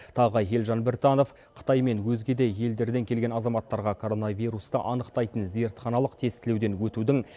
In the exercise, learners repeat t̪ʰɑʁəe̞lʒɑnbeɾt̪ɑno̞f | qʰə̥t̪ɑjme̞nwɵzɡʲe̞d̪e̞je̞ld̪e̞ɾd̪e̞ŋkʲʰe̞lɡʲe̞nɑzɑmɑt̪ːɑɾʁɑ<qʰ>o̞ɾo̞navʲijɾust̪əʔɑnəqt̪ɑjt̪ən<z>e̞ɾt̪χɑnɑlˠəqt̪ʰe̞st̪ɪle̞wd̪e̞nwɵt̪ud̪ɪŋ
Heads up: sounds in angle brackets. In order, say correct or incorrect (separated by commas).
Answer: incorrect, correct